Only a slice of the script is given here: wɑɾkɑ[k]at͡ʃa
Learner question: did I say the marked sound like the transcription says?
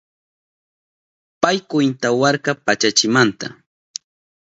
no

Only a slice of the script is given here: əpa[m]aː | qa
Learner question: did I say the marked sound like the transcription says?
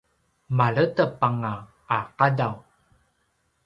no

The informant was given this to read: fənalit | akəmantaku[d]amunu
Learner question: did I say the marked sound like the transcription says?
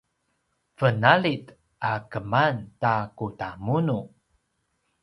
no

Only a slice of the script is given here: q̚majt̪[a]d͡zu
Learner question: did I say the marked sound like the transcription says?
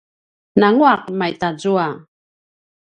yes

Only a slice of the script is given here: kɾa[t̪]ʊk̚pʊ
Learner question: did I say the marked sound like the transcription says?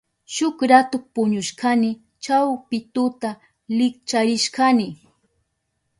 yes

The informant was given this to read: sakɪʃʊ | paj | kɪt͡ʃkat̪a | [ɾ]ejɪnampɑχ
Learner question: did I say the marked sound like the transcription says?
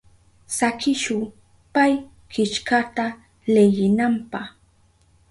no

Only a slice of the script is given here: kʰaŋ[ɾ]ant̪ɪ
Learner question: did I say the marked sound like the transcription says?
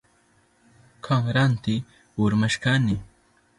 yes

